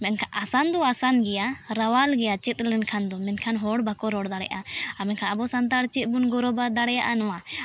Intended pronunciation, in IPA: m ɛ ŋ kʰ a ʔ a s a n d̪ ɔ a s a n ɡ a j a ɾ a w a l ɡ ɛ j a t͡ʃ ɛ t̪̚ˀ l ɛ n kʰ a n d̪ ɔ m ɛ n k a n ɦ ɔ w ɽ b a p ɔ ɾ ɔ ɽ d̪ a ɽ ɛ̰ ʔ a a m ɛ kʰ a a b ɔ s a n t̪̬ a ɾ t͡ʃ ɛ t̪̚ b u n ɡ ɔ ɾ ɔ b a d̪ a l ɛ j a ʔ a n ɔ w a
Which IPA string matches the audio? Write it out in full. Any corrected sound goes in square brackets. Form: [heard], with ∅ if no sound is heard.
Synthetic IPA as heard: m ɛ [n] kʰ a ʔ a s a n d̪ ɔ a s a n ɡ [ɛ] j a ɾ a w a l ɡ ɛ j a t͡ʃ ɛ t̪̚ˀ l ɛ n kʰ a n d̪ ɔ m ɛ n [kʰ] a n ɦ ɔ [∅] ɽ b a [k] ɔ ɾ ɔ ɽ d̪ a ɽ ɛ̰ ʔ a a m ɛ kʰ a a b ɔ s a n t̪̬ a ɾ t͡ʃ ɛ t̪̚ b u n ɡ ɔ ɾ ɔ b a d̪ a [ɽ] ɛ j a ʔ a n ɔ w a